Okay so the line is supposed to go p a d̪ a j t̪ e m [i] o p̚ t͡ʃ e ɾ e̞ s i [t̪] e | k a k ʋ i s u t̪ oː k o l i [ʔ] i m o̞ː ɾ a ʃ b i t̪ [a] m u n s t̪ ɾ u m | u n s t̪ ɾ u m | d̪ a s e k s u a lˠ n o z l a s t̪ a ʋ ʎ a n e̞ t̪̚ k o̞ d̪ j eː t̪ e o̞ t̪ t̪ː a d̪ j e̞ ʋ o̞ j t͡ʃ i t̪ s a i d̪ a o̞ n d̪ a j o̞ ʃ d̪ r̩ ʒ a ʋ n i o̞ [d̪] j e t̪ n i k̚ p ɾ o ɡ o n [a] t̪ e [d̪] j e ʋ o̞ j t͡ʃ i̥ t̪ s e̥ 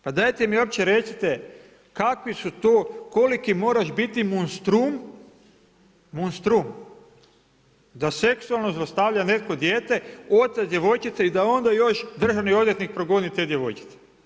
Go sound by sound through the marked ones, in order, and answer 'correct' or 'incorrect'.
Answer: correct, correct, incorrect: k, incorrect: i, correct, incorrect: i, correct

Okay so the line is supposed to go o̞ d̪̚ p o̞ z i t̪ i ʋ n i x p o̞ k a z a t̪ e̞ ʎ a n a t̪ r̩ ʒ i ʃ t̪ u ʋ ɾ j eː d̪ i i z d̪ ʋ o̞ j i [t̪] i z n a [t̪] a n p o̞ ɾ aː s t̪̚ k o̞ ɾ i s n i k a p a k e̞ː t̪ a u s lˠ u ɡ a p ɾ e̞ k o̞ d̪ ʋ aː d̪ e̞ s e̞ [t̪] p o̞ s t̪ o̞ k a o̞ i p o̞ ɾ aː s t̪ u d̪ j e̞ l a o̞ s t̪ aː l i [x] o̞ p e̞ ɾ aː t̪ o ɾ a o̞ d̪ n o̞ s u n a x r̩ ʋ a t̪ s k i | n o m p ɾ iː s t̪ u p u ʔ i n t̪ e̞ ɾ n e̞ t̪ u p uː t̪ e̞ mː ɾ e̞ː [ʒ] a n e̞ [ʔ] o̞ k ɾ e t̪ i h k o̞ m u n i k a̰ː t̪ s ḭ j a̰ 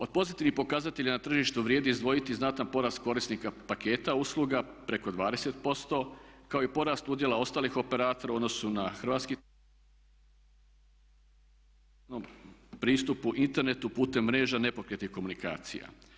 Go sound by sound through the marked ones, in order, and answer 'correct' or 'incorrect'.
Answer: correct, correct, correct, correct, correct, incorrect: p

